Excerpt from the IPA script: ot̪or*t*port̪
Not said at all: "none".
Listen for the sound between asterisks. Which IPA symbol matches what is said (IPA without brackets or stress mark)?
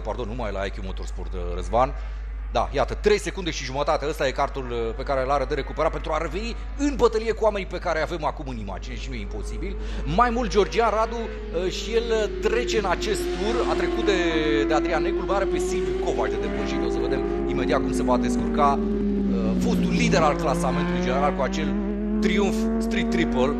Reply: s